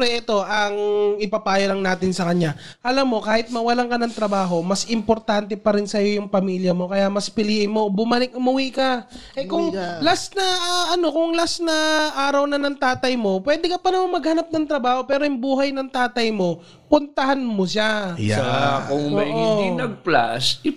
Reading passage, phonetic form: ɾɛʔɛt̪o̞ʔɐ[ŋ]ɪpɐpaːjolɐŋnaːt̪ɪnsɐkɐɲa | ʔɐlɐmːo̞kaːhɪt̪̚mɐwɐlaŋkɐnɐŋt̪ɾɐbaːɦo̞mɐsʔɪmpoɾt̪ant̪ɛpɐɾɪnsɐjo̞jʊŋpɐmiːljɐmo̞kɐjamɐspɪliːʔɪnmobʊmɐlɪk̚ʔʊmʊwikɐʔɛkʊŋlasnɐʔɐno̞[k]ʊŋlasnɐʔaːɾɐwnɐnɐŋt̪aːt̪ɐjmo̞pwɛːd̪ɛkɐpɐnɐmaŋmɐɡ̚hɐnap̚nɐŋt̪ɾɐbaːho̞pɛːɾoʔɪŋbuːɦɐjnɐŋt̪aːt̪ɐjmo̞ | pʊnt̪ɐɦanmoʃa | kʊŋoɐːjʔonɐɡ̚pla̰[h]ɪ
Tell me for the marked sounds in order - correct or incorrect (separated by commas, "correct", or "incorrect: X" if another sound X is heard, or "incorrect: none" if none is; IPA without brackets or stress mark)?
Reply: correct, correct, incorrect: s